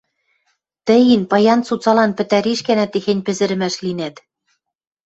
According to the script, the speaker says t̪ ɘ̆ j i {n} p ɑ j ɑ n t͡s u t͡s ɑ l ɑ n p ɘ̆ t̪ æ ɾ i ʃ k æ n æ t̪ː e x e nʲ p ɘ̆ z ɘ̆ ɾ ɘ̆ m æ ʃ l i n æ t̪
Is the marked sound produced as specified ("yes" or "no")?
yes